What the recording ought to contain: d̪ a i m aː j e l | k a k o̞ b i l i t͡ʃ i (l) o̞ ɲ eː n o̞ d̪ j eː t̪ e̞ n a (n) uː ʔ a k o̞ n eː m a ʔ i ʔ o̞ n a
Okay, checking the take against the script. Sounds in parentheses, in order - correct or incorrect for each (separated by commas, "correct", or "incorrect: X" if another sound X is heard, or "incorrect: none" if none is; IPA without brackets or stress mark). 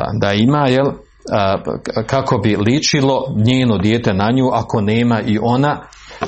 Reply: correct, incorrect: ɲ